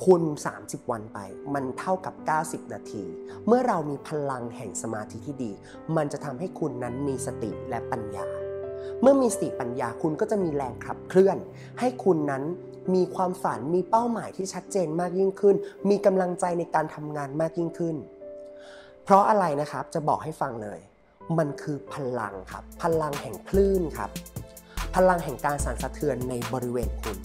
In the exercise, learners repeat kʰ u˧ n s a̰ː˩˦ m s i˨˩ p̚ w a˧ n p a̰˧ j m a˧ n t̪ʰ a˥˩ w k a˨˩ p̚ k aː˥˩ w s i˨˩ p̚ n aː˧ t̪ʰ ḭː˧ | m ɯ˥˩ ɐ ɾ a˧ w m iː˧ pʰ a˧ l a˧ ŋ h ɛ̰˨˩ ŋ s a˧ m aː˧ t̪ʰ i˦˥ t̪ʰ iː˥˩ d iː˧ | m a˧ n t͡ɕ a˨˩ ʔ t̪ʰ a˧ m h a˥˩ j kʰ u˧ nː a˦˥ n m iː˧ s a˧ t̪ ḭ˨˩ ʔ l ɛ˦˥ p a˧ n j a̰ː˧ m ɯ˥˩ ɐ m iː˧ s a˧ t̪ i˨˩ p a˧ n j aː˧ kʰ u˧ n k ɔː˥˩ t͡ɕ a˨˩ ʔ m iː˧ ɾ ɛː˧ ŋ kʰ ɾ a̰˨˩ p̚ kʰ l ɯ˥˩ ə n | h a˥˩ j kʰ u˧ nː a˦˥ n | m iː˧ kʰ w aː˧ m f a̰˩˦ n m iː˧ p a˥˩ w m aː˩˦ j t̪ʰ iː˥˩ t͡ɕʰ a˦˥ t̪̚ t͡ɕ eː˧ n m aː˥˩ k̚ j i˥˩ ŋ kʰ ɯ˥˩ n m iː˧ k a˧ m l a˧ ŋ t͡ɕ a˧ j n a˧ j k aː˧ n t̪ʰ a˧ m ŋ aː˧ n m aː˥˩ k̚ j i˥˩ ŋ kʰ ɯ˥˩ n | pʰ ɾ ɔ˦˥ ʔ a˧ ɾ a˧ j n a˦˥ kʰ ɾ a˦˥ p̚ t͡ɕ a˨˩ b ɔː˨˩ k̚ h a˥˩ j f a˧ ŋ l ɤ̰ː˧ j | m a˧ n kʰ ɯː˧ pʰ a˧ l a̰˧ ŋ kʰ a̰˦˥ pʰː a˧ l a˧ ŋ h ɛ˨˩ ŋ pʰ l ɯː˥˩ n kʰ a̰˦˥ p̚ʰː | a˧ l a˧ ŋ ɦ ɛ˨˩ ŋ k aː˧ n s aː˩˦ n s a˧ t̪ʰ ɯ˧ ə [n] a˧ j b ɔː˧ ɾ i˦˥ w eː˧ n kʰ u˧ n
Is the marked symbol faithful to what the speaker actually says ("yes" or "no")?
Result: no